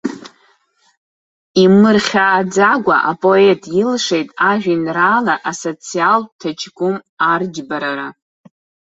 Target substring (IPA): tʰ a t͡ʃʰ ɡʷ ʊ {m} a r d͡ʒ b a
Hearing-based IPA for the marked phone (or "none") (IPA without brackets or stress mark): m